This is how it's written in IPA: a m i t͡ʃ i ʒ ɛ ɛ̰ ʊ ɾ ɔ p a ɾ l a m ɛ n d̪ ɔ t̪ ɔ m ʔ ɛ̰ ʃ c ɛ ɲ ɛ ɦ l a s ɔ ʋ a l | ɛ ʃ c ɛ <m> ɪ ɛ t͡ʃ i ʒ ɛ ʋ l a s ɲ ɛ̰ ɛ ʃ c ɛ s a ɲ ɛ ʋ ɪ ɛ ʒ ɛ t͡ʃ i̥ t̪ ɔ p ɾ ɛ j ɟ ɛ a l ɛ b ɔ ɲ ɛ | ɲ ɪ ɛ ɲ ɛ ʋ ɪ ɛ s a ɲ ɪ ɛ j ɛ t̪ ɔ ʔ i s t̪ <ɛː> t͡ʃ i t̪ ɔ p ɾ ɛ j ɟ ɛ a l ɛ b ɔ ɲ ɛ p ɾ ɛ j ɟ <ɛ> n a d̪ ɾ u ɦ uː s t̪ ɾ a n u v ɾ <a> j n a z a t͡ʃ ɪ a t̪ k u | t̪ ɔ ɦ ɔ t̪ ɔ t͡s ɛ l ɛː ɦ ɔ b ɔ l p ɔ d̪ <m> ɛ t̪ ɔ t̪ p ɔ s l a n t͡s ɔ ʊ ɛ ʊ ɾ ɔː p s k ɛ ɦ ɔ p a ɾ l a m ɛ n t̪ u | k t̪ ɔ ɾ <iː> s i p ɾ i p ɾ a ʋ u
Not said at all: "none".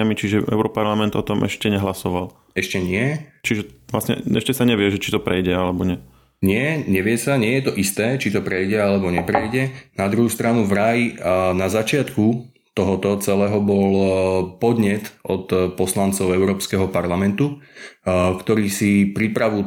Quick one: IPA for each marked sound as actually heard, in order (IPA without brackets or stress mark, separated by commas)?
ɲ, ɛː, ɛ, a, ɲ, iː